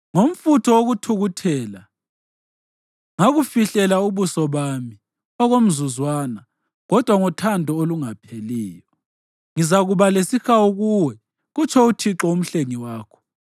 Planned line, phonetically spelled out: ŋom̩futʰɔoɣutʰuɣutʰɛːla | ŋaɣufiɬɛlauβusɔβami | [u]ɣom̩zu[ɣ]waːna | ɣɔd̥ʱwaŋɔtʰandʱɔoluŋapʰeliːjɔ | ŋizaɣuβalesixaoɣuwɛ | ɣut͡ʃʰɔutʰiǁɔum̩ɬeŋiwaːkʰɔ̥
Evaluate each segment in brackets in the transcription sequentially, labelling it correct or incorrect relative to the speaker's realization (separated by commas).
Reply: incorrect, incorrect